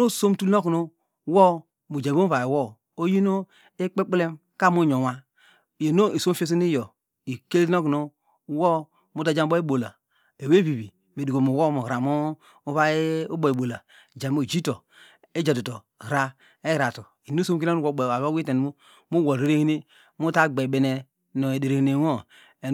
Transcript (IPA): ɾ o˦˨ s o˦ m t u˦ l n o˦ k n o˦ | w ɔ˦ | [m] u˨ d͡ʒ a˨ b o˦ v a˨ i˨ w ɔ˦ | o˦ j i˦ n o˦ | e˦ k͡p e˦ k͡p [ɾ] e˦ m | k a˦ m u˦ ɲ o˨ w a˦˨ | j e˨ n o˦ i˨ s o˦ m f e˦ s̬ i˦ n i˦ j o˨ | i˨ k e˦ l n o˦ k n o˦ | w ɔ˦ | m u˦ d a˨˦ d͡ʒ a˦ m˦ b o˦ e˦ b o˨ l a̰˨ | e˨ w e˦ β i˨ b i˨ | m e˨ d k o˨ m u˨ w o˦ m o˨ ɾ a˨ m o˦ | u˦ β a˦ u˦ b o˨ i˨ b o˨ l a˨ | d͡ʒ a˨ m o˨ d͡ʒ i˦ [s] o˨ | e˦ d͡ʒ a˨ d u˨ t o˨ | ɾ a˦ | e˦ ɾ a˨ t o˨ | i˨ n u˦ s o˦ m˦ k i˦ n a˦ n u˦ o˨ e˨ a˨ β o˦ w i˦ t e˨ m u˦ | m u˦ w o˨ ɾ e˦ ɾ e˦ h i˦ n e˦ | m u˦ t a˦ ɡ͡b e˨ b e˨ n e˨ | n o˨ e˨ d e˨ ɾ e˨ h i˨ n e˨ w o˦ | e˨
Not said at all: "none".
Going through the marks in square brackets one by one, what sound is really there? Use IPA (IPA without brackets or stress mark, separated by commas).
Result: m, l, t